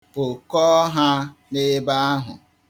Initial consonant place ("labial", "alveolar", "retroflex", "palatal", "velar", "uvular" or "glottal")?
velar